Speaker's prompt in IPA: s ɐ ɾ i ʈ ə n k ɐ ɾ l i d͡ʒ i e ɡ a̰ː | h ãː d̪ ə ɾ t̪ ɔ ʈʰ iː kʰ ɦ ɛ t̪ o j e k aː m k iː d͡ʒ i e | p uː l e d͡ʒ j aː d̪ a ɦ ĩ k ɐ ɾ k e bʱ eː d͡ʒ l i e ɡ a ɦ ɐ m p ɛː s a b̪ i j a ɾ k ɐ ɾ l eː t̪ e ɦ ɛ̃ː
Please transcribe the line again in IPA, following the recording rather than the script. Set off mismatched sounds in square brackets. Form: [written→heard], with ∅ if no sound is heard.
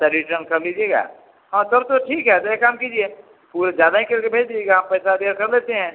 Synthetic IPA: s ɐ ɾ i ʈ ə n k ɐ ɾ l i d͡ʒ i e ɡ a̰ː | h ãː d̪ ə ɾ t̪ [ɔ→o] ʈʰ iː [kʰ→k] ɦ ɛ t̪ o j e k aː m k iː d͡ʒ i e | p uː [l→ɾ] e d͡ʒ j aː d̪ a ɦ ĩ k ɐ ɾ k e bʱ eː d͡ʒ l i e ɡ a ɦ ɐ m p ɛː s a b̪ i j a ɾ k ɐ ɾ l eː t̪ e ɦ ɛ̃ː